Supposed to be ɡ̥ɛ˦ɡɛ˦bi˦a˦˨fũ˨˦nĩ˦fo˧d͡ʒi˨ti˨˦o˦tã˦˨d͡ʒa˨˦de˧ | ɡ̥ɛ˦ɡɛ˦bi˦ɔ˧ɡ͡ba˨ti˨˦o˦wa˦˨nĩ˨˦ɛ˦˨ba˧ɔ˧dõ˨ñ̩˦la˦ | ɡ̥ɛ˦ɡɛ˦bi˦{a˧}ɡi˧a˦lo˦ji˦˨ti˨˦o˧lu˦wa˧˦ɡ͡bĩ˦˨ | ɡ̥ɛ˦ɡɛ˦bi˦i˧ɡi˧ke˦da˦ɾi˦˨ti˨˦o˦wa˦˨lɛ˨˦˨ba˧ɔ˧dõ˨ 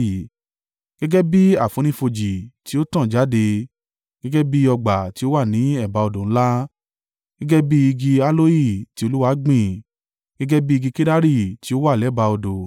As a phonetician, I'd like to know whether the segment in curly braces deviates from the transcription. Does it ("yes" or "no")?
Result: yes